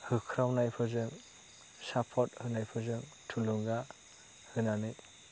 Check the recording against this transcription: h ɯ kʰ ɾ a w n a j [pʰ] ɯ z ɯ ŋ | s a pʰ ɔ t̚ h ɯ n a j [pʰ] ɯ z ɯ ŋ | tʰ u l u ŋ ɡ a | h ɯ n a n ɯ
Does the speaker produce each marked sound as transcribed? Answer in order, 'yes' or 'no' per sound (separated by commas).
yes, yes